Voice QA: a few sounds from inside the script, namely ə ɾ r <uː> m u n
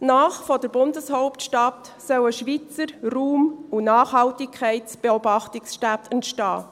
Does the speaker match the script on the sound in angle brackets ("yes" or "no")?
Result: yes